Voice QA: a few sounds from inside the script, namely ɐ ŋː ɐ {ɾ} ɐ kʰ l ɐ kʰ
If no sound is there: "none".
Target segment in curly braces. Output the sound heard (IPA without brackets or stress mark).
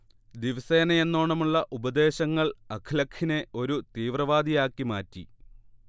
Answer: ɭ